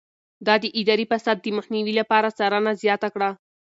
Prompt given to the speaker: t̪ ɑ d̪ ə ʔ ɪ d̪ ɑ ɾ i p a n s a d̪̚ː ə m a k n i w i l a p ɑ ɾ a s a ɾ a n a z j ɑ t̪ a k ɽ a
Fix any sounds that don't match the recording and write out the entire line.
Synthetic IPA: d̪ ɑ d̪ ə ʔ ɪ d̪ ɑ ɾ i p a s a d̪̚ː ə m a x n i w i l a p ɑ ɾ a s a ɾ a n a z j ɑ t̪ a k ɽ a